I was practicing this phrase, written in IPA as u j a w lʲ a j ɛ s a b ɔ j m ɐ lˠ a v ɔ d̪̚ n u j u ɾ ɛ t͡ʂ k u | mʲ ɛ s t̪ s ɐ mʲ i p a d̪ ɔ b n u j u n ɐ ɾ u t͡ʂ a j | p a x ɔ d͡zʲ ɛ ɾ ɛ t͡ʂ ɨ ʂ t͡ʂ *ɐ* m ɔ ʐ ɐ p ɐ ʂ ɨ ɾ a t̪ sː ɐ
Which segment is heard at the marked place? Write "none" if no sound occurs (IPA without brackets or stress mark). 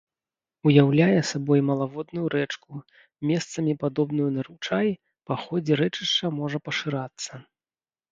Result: ɐ